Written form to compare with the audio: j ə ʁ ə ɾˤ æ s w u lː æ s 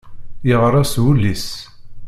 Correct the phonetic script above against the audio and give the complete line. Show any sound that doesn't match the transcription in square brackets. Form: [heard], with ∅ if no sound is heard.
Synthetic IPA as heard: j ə ʁ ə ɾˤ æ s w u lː [i] s